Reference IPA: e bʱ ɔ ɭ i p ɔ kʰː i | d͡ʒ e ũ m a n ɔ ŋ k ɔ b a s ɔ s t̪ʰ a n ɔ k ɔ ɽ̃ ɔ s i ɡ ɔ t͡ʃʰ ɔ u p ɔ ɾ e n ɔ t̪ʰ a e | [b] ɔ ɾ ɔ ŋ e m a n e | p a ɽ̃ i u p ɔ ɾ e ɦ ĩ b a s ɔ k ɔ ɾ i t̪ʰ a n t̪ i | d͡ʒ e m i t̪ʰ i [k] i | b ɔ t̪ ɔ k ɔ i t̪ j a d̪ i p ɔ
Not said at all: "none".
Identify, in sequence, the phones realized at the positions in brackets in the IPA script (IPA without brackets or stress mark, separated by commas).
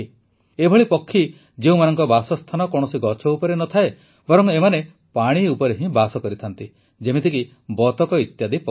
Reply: b, k